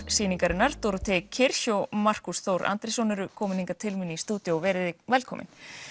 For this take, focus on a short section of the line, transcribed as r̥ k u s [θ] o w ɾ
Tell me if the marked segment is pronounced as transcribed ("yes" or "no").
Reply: yes